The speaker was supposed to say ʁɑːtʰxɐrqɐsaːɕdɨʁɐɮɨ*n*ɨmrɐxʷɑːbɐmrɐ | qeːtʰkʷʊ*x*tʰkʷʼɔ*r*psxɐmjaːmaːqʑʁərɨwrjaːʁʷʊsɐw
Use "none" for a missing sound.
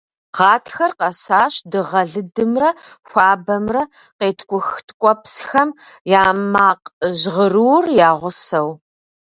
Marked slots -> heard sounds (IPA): d, x, none

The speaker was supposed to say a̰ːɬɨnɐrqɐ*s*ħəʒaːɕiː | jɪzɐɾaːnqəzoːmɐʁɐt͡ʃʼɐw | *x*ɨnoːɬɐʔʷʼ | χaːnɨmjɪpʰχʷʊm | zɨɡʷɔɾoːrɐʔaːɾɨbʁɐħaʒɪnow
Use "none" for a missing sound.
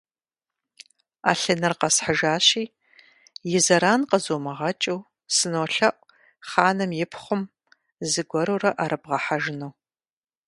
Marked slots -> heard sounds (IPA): s, s

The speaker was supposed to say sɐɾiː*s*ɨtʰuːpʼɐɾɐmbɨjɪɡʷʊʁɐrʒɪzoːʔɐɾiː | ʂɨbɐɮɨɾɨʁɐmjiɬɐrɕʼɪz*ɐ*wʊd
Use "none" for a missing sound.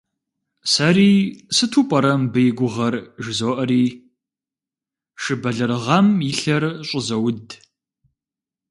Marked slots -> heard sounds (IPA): s, ɐ

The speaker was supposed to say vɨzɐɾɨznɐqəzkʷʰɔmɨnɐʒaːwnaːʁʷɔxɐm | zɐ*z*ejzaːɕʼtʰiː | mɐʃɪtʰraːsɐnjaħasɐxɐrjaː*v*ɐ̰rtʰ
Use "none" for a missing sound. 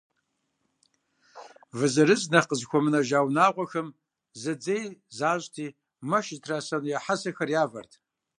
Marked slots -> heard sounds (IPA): d͡z, v

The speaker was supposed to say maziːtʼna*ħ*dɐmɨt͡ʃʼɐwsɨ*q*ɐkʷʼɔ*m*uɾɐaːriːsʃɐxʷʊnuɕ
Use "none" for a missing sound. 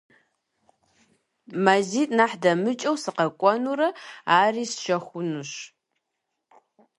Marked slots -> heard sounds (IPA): ħ, q, n

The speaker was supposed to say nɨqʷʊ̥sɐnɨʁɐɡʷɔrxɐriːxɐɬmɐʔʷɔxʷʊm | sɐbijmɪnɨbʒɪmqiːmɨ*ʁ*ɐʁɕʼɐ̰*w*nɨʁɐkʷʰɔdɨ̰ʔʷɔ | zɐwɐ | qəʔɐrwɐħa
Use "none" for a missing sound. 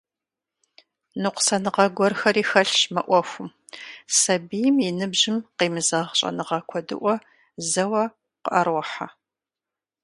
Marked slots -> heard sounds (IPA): z, none

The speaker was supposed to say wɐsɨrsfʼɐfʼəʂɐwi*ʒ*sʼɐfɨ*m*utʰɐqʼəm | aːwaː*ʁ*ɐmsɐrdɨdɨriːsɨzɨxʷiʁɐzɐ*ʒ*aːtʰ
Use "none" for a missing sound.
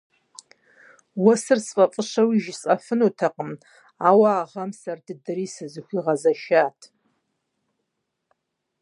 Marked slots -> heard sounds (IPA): ʒ, n, ʁ, ʃ

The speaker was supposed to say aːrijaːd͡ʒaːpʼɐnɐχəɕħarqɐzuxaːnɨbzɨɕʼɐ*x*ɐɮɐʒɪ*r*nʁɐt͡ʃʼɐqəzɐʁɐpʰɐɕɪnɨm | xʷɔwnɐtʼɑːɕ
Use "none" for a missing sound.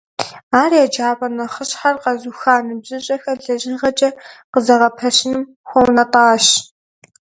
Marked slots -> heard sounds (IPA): x, none

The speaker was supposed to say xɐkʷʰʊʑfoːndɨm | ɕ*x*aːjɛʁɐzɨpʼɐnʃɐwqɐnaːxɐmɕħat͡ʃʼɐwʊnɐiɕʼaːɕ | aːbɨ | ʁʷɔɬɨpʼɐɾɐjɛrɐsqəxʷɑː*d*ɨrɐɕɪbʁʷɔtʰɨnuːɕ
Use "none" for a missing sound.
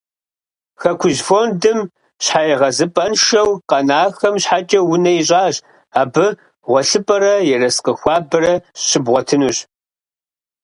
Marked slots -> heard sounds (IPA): ħ, b

